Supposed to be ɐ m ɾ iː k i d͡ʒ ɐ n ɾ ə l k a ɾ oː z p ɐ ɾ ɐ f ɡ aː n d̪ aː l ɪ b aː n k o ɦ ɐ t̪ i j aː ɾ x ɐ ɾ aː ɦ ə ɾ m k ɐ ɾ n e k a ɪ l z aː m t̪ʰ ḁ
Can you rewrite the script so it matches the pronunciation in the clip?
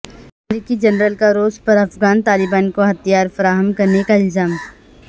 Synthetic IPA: ɐ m ɾ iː k i d͡ʒ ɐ n ɾ ə l k a ɾ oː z p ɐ ɾ ɐ f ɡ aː n t̪ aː l ɪ b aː n k o ɦ ɐ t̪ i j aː ɾ f ɐ ɾ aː ɦ ə m k ɐ ɾ n e k a ɪ l z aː m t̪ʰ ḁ